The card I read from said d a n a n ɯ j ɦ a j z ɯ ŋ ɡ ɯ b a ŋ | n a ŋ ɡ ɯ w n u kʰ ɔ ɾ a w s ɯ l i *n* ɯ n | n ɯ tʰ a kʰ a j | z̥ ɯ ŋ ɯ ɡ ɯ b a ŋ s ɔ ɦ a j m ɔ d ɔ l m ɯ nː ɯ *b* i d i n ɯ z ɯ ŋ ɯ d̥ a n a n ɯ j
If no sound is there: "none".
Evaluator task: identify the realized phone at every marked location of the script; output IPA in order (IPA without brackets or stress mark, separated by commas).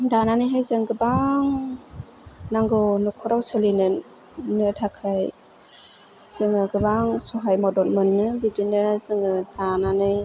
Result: n, b